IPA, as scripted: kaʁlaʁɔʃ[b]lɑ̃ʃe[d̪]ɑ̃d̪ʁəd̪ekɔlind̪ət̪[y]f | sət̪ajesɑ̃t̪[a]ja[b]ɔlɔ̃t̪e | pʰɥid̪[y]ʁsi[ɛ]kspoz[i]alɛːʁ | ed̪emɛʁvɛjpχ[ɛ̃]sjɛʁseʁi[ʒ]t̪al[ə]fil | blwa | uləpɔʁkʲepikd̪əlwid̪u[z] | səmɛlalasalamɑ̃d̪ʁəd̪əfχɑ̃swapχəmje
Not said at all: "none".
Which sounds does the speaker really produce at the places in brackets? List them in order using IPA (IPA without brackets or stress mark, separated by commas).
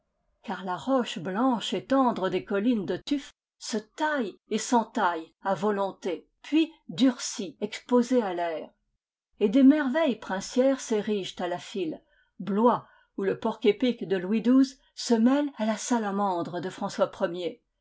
b, t̪, y, a, v, y, ɛ, e, ɛ̃, ʒ, a, z